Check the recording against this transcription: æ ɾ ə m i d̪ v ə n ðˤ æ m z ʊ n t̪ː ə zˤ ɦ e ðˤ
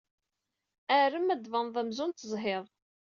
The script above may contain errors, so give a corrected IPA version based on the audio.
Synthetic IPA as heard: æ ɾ ə m æ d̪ v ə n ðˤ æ m z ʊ n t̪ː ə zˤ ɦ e ðˤ